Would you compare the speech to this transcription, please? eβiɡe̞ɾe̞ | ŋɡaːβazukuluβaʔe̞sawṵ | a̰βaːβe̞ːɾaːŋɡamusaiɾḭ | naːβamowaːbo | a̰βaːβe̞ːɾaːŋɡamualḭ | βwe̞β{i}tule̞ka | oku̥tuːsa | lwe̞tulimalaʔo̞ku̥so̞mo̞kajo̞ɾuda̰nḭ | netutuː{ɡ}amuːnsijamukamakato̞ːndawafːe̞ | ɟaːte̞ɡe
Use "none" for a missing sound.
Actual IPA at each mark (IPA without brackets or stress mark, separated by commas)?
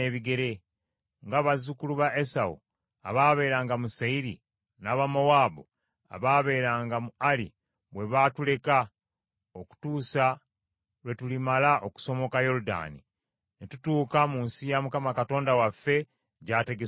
a, k